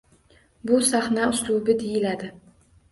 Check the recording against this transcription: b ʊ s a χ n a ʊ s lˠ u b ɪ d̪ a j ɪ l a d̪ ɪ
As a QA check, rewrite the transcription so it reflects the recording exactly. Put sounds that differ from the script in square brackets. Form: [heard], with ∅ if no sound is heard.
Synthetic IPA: b ʊ s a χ n a ʊ s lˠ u b ɪ d̪ [e] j ɪ l a d̪ ɪ